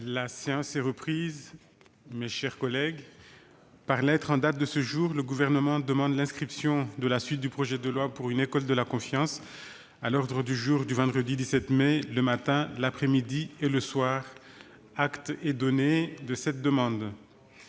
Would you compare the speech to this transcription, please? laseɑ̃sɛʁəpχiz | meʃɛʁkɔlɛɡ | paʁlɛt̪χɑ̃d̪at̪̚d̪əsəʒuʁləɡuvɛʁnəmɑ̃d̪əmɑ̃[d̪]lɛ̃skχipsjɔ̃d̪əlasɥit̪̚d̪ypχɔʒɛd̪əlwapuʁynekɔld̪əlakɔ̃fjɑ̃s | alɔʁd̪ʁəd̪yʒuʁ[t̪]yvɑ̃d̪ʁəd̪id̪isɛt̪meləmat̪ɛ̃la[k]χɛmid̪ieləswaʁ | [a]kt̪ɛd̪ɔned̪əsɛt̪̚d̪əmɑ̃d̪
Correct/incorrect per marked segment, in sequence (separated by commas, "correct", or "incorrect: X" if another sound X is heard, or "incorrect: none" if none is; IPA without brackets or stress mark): correct, incorrect: d̪, incorrect: p, correct